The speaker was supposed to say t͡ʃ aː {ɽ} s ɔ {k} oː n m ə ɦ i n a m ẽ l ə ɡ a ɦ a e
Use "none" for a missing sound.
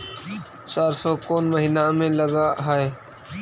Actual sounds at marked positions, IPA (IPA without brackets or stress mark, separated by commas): ɾ, k